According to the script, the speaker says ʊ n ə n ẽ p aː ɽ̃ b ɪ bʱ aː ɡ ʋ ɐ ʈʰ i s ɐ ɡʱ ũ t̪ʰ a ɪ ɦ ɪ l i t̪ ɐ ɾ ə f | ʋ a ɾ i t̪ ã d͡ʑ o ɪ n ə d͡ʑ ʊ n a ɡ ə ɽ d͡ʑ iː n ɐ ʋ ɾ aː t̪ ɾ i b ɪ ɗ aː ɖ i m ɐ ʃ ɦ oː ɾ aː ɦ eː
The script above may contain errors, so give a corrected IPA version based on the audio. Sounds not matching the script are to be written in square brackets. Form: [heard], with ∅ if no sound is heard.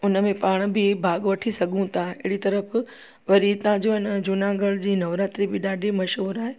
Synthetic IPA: ʊ n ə [m] ẽ p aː ɽ̃ b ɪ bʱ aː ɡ ʋ ɐ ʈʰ i s ɐ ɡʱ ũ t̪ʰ a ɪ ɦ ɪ [ɽ] i t̪ ɐ ɾ ə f | ʋ [ɐ] ɾ i t̪ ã d͡ʑ o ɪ n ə d͡ʑ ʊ n a ɡ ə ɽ d͡ʑ iː n ɐ ʋ ɾ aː t̪ ɾ i b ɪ ɗ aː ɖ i m ɐ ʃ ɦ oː ɾ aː ɦ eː